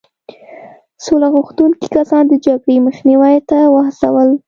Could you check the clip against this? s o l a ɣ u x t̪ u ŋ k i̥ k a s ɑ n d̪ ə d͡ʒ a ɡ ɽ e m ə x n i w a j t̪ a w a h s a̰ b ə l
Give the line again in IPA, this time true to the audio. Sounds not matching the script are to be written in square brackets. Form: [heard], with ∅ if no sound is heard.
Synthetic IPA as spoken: s o l a ɣ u x t̪ u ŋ k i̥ k a s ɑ n d̪ ə d͡ʒ a ɡ ɽ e m ə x n i w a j t̪ a w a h s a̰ [w] ə l